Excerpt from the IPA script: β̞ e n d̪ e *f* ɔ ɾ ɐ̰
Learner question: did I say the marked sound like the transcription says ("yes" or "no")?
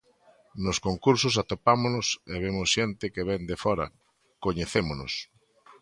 yes